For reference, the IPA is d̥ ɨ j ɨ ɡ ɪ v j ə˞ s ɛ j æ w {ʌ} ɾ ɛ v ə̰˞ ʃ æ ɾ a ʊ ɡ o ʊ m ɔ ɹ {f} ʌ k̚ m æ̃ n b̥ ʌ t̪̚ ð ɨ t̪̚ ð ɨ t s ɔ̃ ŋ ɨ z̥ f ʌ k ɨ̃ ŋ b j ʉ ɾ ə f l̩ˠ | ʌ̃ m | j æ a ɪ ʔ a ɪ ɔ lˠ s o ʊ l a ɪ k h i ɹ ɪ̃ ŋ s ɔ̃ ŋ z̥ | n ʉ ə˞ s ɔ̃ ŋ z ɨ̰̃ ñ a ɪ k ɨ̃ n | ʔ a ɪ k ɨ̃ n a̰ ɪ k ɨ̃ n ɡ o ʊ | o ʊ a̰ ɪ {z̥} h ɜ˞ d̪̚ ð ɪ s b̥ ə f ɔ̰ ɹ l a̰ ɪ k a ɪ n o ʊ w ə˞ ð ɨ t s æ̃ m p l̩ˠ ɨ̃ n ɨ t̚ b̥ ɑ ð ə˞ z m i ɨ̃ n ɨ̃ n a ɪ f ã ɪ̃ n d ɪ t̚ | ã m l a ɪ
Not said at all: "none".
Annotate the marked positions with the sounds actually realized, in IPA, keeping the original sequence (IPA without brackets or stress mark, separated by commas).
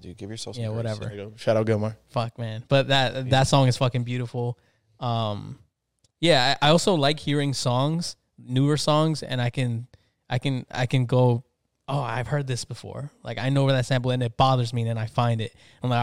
ʌ, f, v̥